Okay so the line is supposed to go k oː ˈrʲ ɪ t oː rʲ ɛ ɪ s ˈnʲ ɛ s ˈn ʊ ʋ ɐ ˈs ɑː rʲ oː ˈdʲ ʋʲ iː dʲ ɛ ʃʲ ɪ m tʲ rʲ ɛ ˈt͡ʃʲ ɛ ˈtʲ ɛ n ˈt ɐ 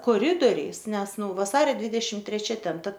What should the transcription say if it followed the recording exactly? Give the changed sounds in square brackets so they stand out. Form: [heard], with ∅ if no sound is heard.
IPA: k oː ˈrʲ ɪ [d] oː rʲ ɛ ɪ s ˈnʲ ɛ s ˈn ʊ ʋ ɐ ˈs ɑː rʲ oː ˈdʲ ʋʲ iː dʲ ɛ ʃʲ ɪ m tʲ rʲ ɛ ˈt͡ʃʲ ɛ ˈtʲ ɛ n ˈt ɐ